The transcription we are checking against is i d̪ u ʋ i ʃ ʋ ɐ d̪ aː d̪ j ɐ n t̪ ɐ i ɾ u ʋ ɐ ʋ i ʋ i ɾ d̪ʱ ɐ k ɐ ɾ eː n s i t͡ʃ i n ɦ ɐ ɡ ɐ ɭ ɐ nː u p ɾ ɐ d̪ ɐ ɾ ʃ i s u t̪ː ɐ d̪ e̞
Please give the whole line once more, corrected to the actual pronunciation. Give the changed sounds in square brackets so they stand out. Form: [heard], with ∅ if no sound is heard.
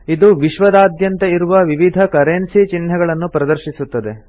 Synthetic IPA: i d̪ u ʋ i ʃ ʋ ɐ d̪ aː d̪ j ɐ n t̪ ɐ i ɾ u ʋ ɐ ʋ i ʋ i [∅] d̪ʱ ɐ k ɐ ɾ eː n s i t͡ʃ i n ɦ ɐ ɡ ɐ ɭ ɐ nː u p ɾ ɐ d̪ ɐ ɾ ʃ i s u t̪ː ɐ d̪ e̞